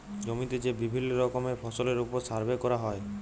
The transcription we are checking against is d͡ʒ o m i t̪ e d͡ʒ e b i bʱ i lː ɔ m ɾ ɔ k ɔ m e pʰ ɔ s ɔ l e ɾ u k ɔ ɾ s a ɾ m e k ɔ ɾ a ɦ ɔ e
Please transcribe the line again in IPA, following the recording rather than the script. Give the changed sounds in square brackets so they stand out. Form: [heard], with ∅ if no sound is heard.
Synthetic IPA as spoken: d͡ʒ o m i t̪ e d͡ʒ e b i bʱ i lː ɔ [∅] ɾ ɔ k ɔ m e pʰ ɔ s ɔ l e ɾ u [p] ɔ ɾ s a ɾ [b] e k ɔ ɾ a ɦ ɔ e